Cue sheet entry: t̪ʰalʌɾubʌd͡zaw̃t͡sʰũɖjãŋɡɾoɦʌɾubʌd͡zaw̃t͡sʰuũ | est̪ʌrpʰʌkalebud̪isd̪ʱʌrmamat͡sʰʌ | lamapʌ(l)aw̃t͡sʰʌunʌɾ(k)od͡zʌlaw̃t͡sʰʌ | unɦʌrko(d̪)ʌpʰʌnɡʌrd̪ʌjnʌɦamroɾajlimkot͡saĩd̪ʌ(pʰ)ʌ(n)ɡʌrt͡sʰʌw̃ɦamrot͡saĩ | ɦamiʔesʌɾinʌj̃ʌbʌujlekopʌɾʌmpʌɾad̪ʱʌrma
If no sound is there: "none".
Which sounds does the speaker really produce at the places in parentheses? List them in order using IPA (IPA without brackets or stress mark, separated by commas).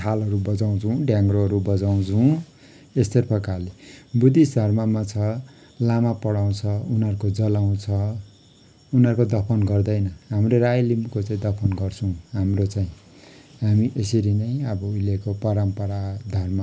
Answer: ɽ, k, d̪, pʰ, n